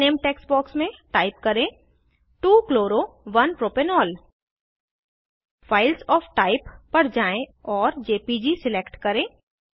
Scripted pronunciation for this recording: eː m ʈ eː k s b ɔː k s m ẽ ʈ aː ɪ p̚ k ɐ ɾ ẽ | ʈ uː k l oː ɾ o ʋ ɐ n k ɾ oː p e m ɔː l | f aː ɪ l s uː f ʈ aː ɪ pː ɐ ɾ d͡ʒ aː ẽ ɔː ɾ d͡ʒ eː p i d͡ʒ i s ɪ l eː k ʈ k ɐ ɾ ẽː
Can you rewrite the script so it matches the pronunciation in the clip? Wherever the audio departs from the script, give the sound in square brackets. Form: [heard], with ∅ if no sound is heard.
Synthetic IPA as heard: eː m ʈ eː k s b ɔː k s m ẽ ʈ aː ɪ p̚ k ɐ ɾ ẽ | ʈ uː k l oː ɾ o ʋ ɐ n [p] ɾ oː p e [n] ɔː l | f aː ɪ l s [ɔː] f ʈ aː ɪ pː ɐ ɾ d͡ʒ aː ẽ ɔː ɾ d͡ʒ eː p i d͡ʒ i s ɪ l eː k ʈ k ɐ ɾ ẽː

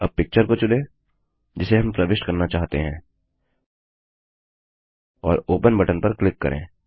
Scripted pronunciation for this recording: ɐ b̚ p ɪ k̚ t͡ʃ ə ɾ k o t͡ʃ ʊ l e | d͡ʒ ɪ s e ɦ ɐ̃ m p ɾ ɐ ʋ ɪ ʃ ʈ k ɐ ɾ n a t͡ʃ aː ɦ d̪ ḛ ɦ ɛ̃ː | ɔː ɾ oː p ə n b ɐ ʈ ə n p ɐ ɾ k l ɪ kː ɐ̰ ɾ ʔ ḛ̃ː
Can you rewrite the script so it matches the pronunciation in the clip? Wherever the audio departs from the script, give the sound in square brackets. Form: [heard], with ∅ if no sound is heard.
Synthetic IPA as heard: ɐ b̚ p ɪ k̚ t͡ʃ ə ɾ k o t͡ʃ ʊ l e | d͡ʒ ɪ s e ɦ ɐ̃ m p ɾ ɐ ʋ ɪ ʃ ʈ k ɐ ɾ n a t͡ʃ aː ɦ [t̪] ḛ ɦ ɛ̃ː | ɔː ɾ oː p ə n b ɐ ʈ ə n p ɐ ɾ k l ɪ kː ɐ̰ ɾ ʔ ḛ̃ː

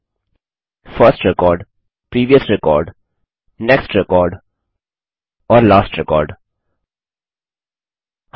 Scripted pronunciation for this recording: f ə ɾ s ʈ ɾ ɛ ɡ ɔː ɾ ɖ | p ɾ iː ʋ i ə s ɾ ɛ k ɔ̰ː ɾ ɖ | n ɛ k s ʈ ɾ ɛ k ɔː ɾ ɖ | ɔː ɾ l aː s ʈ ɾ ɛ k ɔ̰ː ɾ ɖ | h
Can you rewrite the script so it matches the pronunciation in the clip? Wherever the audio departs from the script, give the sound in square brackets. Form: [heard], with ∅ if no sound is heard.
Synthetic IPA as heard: f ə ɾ s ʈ ɾ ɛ [k] ɔː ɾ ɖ | p ɾ iː ʋ i ə s ɾ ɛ k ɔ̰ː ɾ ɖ | n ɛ k s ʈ ɾ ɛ k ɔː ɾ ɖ | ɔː ɾ l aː s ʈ ɾ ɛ k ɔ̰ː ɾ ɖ | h

